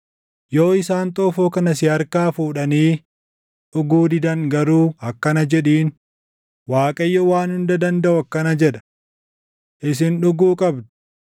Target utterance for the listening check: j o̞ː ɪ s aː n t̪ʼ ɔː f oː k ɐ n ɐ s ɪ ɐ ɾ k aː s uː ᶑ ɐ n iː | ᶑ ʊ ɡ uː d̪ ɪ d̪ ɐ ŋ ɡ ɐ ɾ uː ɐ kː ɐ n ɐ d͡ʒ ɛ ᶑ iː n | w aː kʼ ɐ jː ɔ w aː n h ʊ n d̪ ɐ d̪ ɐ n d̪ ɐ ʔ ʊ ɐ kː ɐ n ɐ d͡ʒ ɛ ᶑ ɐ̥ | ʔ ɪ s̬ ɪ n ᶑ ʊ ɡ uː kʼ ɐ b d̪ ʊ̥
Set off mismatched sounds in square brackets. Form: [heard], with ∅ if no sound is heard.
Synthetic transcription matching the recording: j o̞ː ɪ s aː n t̪ʼ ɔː f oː k ɐ n ɐ s ɪ ɐ ɾ k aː [f] uː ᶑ ɐ n iː | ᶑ ʊ ɡ uː d̪ ɪ d̪ ɐ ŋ ɡ ɐ ɾ uː ɐ kː ɐ n ɐ d͡ʒ ɛ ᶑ iː n | w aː kʼ ɐ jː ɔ w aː n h ʊ n d̪ ɐ d̪ ɐ n d̪ ɐ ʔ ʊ ɐ kː ɐ n ɐ d͡ʒ ɛ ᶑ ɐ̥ | ʔ ɪ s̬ ɪ n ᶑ ʊ ɡ uː kʼ ɐ b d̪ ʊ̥